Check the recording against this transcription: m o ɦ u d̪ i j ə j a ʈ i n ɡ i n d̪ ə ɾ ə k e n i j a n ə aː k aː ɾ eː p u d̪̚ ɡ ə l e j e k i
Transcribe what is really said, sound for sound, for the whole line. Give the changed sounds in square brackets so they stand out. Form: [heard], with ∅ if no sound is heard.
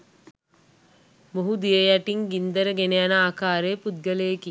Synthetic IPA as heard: m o ɦ u d̪ i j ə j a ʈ i [ŋ] ɡ i n d̪ ə ɾ ə [ɡ] e n [e] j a n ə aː k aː ɾ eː p u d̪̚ ɡ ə l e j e k i